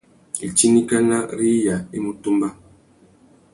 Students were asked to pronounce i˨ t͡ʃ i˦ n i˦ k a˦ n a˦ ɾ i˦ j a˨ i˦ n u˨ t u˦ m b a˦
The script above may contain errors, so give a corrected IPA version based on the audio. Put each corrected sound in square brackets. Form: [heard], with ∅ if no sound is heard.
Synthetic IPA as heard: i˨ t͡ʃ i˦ n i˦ k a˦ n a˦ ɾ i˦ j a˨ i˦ [m] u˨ t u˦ m b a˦